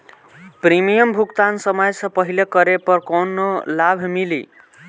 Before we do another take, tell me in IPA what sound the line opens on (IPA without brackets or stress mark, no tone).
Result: p